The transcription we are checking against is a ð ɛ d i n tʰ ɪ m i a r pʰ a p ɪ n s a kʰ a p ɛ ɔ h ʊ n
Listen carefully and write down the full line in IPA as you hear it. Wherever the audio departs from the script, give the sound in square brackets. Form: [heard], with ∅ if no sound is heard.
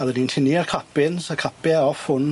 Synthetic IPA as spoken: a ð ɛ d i n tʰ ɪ [n] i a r [kʰ] a p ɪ n s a kʰ a p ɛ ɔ [f] ʊ n